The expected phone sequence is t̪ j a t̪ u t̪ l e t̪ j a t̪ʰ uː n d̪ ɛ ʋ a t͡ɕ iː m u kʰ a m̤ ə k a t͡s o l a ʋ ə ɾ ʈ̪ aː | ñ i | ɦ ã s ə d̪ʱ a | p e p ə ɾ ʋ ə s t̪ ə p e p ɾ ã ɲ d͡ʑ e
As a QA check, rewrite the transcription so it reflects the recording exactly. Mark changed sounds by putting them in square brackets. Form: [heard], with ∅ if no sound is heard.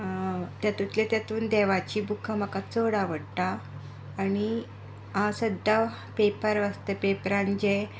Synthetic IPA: t̪ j a t̪ u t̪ l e t̪ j a [t̪] uː n d̪ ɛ ʋ a t͡ɕ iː [b] u kʰ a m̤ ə k a t͡s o [ɽ] a ʋ ə [ɽ] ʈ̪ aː | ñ i | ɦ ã s ə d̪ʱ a | p e p ə ɾ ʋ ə s t̪ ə p e p ɾ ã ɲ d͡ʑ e